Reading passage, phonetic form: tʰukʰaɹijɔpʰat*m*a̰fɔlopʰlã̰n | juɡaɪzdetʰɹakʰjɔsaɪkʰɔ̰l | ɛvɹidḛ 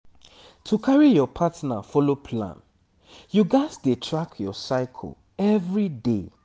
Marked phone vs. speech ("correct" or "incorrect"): incorrect